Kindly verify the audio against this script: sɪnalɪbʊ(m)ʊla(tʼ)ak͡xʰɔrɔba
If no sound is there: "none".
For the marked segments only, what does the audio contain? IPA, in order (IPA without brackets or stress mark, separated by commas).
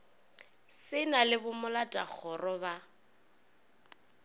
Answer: m, tʼ